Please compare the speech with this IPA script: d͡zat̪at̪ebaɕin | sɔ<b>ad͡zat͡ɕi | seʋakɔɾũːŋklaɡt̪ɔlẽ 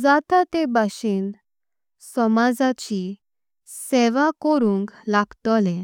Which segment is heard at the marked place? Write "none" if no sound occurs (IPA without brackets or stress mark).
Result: m